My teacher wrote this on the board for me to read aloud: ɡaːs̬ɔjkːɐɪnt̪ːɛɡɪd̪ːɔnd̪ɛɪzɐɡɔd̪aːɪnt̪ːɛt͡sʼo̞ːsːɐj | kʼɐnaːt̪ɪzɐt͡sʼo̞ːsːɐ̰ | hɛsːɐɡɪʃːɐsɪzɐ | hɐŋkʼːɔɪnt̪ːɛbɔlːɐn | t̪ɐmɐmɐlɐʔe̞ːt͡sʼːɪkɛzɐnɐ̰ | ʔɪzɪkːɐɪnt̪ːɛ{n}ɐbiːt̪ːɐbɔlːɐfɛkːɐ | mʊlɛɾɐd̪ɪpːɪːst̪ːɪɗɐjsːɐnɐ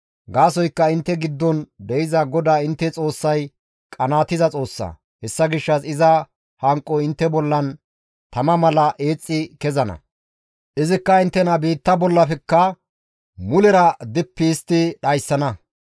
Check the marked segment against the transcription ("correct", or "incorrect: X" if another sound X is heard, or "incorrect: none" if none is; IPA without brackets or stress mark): correct